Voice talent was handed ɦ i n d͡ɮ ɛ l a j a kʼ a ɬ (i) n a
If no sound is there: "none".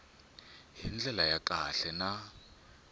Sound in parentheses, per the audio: ɛ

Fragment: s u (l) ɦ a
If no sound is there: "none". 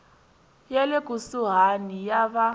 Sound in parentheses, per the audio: none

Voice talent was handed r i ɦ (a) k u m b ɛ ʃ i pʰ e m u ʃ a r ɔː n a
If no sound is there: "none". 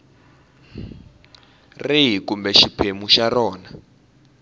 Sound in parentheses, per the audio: i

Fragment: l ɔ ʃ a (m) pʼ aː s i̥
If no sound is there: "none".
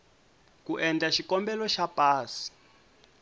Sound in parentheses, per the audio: none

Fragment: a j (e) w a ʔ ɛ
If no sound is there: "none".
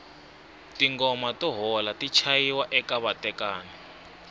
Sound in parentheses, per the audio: i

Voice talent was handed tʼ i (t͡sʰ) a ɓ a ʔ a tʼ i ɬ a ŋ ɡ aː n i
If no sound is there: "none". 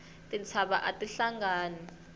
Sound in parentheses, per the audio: t͡sʰ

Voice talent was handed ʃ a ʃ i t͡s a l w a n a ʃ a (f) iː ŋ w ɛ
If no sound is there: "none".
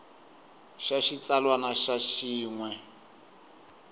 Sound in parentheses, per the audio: ʃ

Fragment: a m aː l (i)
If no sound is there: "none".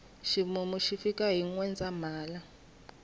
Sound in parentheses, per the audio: a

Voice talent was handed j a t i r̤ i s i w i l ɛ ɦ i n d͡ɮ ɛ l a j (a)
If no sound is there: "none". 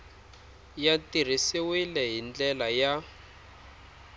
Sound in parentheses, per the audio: a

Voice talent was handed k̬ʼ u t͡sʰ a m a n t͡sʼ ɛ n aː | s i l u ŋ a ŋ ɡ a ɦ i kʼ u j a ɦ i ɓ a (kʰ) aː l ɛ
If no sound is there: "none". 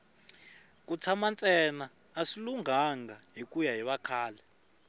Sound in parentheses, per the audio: kʰ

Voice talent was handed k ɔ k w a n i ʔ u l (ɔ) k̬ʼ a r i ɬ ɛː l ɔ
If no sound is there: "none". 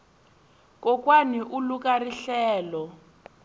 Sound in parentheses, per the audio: u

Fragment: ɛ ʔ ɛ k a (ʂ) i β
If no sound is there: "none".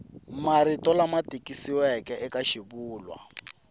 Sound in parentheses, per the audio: ʃ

